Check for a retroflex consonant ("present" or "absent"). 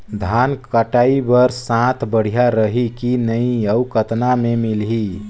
present